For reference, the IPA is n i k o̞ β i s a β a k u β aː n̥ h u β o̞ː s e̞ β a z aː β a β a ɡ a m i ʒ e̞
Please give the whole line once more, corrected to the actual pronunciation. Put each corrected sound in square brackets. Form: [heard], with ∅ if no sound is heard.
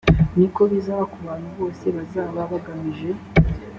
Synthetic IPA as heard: n i k o̞ β i [z] a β a k u β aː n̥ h u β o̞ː s e̞ β a z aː β a β a ɡ a m i ʒ e̞